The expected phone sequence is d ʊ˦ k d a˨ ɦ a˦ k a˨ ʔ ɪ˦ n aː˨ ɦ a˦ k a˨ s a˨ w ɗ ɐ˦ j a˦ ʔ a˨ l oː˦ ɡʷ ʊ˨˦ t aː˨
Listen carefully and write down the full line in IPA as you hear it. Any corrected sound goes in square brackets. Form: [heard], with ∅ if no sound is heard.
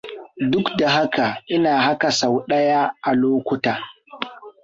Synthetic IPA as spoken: d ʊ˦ k d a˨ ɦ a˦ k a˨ ʔ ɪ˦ n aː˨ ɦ a˦ k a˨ s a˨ w ɗ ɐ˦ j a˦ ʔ a˨ l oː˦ [kʷ] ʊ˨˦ t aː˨